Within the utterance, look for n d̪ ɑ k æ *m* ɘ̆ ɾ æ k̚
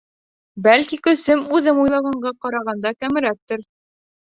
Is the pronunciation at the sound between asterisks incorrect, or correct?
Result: correct